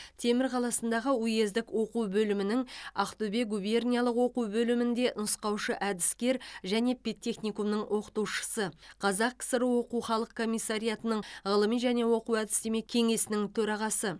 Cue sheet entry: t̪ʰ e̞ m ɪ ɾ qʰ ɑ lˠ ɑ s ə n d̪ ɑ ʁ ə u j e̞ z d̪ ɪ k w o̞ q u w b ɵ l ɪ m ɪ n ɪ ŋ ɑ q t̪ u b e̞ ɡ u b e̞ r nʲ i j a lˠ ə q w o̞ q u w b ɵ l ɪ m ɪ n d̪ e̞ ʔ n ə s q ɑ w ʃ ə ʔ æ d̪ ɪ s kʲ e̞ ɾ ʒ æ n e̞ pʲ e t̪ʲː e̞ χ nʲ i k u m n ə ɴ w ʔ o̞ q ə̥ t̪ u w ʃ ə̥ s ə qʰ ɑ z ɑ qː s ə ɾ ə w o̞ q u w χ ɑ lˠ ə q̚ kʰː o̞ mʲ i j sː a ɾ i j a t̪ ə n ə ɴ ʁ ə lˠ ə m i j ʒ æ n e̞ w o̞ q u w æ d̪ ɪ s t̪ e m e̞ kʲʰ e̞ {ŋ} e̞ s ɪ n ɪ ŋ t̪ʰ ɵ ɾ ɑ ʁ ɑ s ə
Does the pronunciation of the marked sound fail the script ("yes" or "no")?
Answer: no